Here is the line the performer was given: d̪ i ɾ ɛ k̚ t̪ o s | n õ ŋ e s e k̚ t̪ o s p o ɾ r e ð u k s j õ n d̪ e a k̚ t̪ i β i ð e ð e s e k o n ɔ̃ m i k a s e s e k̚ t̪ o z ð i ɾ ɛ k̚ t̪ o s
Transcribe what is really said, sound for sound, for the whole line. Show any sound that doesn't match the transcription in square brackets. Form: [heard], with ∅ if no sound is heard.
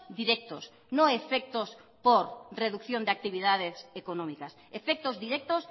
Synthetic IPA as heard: d̪ i ɾ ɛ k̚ t̪ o s | n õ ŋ e [f] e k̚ t̪ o s p o ɾ r e ð u k [θ] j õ n d̪ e a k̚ t̪ i β i ð [a] ð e s e k o n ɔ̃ m i k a s e [f] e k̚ t̪ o z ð i ɾ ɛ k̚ t̪ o s